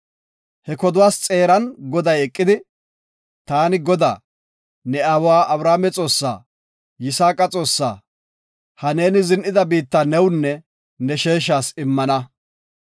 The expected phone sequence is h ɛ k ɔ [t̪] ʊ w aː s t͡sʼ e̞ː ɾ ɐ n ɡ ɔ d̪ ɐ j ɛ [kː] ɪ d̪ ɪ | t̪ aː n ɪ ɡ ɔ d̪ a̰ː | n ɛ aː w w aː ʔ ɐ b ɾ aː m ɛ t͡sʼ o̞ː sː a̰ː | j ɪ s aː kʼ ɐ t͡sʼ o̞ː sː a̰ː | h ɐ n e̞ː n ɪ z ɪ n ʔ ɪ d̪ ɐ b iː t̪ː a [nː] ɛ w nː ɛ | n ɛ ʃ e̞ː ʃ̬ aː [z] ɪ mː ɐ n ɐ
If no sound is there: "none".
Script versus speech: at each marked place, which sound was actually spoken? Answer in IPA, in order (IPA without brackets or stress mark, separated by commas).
d̪, kʼː, n, s